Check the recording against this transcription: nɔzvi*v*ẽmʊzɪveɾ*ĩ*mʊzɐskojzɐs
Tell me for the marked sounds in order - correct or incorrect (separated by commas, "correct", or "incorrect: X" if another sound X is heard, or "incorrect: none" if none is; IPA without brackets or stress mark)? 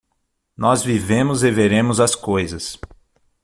correct, incorrect: ẽ